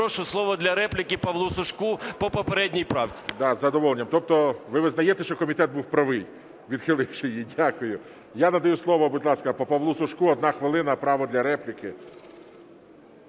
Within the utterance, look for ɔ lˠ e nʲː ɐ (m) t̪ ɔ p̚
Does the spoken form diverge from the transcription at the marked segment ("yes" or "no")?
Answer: no